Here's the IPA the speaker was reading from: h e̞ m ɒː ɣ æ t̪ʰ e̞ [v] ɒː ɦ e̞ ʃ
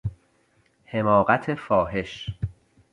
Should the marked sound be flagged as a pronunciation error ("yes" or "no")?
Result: yes